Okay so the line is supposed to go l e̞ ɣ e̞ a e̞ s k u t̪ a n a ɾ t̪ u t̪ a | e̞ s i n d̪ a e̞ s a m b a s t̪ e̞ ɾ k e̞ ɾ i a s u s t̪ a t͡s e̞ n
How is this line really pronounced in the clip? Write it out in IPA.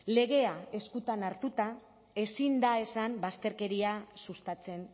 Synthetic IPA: l e̞ ɣ e̞ a e̞ s k u t̪ a n a ɾ t̪ u t̪ a | e̞ s i n d̪ a e̞ s a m b a s t̪ e̞ ɾ k e̞ ɾ i a s u s t̪ a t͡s e̞ n